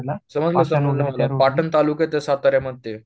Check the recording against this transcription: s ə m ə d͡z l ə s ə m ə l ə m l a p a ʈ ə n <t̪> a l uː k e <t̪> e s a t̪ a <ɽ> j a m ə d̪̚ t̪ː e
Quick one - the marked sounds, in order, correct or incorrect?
correct, correct, incorrect: ɾ

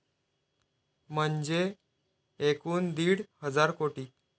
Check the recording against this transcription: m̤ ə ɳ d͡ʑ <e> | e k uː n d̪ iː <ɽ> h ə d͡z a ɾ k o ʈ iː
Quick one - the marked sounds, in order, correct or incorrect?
correct, correct

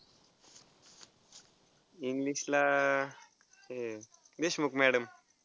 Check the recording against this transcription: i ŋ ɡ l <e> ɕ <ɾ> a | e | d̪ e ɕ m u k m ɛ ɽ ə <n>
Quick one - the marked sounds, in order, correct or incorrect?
incorrect: i, incorrect: l, incorrect: m

